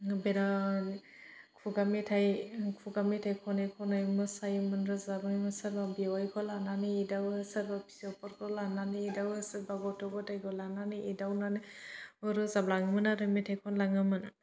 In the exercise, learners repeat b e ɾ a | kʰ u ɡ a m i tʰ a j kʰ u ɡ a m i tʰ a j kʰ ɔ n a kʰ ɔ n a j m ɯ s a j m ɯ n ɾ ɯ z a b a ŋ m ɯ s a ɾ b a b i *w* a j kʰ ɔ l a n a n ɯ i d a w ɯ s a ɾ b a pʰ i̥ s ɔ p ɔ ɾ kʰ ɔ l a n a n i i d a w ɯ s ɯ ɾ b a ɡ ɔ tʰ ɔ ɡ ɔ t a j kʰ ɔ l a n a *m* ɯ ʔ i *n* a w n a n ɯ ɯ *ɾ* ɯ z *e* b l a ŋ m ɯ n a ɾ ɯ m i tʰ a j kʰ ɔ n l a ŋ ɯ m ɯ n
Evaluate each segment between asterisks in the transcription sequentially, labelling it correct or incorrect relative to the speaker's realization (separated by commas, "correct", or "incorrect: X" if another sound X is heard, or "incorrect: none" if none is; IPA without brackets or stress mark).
correct, incorrect: n, incorrect: d, correct, incorrect: a